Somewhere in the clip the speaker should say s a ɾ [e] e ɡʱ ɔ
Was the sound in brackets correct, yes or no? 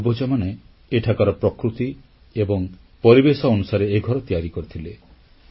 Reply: yes